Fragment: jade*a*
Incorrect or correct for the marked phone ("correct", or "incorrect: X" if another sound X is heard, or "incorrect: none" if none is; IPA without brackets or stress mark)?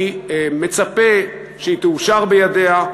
correct